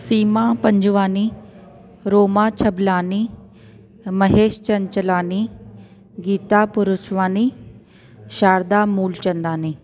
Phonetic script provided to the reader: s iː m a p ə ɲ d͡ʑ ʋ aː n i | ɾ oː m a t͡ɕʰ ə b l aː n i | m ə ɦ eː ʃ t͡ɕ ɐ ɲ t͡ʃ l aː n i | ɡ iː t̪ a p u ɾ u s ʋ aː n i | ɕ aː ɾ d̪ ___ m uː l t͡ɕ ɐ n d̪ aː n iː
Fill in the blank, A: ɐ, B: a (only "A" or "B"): B